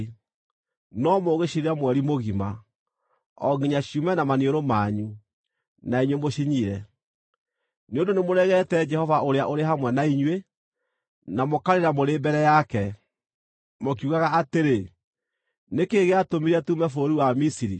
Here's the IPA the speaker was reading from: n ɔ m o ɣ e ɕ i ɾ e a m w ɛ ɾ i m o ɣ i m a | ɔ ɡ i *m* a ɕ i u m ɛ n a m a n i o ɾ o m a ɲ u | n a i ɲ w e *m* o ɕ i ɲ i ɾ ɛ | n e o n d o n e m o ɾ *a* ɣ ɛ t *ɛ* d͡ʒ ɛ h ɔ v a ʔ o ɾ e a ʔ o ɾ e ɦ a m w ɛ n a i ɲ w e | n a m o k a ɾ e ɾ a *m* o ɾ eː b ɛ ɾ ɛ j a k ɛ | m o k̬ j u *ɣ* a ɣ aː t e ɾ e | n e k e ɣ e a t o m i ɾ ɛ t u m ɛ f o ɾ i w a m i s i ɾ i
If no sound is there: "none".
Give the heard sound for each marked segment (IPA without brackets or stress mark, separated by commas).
ɲ, m, ɛ, ɛ, m, ɣ